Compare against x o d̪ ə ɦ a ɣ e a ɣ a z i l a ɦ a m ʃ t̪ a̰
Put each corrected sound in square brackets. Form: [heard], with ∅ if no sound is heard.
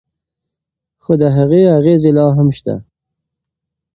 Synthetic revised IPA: x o d̪ ə ɦ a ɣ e a ɣ [e] z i l [ɑ] ɦ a m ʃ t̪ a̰